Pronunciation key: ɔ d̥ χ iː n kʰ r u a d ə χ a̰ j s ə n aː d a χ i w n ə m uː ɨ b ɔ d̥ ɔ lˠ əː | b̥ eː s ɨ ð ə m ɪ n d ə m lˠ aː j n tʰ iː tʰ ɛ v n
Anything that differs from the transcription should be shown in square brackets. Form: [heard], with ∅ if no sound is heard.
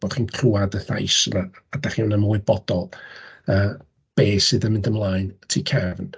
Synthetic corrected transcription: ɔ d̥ χ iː n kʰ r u a d ə [θ] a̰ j s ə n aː d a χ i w n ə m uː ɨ b ɔ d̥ ɔ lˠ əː | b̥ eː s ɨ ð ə m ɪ n d ə m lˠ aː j n tʰ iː [kʰ] ɛ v n

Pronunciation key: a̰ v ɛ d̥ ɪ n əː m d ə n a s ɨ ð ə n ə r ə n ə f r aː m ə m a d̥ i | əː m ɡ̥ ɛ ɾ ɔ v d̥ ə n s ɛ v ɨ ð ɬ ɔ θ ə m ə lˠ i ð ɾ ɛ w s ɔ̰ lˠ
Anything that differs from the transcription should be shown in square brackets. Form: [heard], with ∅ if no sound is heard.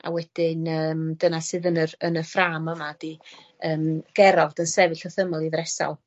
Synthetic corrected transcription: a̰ [w] ɛ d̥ ɪ n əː m d ə n a s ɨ ð ə n ə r ə n ə f r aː m ə m a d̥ i | əː m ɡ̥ ɛ ɾ ɔ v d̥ ə n s ɛ v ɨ [∅] ɬ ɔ θ ə m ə lˠ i ð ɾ ɛ [∅] s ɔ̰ lˠ

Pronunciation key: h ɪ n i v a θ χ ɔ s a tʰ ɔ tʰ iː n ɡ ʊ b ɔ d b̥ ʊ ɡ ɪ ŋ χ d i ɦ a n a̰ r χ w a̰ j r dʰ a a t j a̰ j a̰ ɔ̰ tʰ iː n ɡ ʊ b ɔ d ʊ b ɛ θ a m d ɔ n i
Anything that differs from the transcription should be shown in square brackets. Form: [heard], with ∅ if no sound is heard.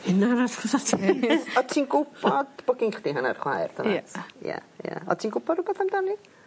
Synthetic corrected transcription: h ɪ n [a] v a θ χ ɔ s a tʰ ɔ tʰ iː n ɡ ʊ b ɔ d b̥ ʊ ɡ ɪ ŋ χ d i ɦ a n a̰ r χ w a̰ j r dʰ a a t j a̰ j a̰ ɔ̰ tʰ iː n ɡ ʊ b ɔ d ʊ b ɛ θ a m d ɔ n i

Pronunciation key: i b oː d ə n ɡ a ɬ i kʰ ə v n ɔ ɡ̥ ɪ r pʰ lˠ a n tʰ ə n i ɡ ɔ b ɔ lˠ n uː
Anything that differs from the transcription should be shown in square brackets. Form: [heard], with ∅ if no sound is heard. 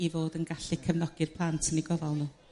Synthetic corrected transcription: i [v] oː d ə n ɡ a ɬ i kʰ ə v n ɔ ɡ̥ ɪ r pʰ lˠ a n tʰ ə n i ɡ ɔ [v] ɔ lˠ n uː

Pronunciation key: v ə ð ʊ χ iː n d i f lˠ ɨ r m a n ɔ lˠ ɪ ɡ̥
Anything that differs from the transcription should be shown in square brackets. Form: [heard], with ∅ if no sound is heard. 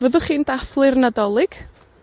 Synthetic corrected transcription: v ə ð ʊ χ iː n d [a] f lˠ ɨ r [n] a [d] ɔ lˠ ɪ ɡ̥

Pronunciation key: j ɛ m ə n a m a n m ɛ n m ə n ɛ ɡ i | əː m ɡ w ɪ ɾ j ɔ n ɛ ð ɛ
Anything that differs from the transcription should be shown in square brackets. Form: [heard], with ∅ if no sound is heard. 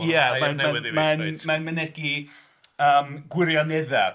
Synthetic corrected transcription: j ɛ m [a] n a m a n m [a] n m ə n ɛ ɡ i | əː m ɡ w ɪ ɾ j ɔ n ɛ ð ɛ

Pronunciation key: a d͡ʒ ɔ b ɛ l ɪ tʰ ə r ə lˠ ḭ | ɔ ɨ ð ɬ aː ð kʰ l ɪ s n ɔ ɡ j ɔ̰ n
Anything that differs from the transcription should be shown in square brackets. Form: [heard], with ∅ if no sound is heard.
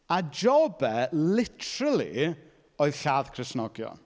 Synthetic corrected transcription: a d͡ʒ ɔ b ɛ l ɪ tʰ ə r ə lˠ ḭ | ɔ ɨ ð ɬ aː ð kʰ [r] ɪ s n ɔ ɡ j ɔ̰ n

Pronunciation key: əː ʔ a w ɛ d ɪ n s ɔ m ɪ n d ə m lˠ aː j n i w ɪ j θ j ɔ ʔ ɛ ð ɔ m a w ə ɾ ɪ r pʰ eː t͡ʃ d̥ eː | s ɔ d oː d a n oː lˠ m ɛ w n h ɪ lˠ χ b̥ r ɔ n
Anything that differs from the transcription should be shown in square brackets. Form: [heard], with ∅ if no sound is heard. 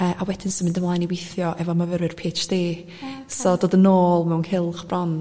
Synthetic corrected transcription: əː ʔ a w ɛ d ɪ n s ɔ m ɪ n d ə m lˠ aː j n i w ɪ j θ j ɔ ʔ ɛ [v] ɔ m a [v] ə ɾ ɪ r pʰ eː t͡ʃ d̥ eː | s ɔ d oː d [ə] n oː lˠ m ɛ w n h ɪ lˠ χ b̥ r ɔ n

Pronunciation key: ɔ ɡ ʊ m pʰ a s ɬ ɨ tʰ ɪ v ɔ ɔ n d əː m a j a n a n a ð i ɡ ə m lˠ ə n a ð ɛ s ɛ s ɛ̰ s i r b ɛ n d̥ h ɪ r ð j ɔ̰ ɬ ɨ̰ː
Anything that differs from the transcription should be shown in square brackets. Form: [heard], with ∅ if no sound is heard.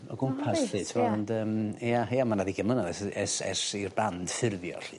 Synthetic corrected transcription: ɔ ɡ ʊ m pʰ a s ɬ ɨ tʰ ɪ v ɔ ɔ n d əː m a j a [m] a n a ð i ɡ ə m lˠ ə n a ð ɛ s ɛ s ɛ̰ s i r b [a] n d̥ [f] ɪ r ð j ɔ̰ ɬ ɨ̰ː

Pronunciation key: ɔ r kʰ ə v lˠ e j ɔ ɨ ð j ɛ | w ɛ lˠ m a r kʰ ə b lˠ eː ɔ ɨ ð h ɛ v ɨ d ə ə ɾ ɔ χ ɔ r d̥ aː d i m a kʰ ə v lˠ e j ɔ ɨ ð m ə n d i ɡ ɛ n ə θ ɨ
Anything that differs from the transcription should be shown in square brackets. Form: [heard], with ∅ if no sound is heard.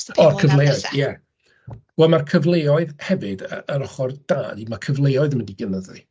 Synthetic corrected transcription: ɔ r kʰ ə v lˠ e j ɔ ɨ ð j ɛ | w ɛ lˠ m a r kʰ ə [v] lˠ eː ɔ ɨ ð h ɛ v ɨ d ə ə ɾ ɔ χ ɔ r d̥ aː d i m a kʰ ə v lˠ e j ɔ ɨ ð m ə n d i ɡ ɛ n ə [ð] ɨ

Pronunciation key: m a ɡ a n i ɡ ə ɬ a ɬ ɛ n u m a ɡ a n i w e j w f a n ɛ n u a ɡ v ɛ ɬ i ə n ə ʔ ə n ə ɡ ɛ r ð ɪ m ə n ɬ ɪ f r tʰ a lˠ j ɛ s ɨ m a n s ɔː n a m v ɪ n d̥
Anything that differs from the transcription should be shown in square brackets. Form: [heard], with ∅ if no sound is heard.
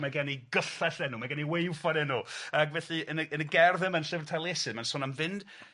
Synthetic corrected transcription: m a ɡ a n i ɡ ə ɬ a ɬ ɛ n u m a ɡ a n i w e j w f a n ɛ n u a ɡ v ɛ ɬ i ə n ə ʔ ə n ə ɡ ɛ r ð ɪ m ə n ɬ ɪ [v] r tʰ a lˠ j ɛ s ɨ m a n s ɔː n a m v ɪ n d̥

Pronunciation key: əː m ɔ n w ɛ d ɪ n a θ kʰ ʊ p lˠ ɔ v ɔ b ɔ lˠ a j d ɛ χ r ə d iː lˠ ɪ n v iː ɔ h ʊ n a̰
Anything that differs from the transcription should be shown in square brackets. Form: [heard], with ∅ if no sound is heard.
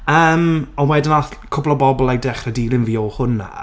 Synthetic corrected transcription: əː m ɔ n w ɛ d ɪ n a θ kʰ ʊ [b] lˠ ɔ [b] ɔ b ɔ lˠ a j d ɛ χ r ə d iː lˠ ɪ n v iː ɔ h ʊ n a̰

